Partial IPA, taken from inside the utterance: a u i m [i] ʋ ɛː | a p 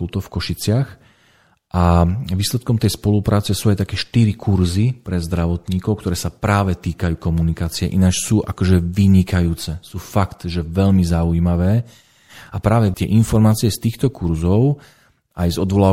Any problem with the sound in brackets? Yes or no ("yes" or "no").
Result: yes